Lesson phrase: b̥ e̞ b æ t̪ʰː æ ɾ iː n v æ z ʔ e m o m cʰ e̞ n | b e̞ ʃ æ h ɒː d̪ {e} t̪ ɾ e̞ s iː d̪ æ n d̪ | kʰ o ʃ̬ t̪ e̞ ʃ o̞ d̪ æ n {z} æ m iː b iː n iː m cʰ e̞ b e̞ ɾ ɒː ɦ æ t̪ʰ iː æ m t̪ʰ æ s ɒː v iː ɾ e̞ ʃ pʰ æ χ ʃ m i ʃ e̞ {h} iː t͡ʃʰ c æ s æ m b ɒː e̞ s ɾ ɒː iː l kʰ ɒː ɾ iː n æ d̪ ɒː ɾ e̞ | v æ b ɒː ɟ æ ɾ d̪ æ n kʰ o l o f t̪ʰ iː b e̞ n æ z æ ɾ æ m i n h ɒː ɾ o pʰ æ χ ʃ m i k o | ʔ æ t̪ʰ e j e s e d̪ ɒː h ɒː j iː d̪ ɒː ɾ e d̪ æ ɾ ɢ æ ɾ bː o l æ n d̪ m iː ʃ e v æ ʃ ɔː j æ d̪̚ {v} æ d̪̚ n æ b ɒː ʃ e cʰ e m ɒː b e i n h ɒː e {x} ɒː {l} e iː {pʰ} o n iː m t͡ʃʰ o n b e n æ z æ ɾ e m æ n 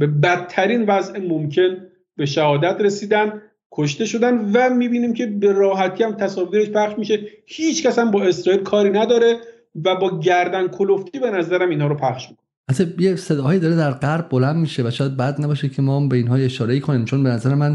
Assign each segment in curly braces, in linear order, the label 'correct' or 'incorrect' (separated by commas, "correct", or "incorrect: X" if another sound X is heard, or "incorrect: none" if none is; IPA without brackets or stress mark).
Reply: incorrect: æ, incorrect: v, correct, incorrect: b, incorrect: ʃ, incorrect: ɾ, incorrect: kʰ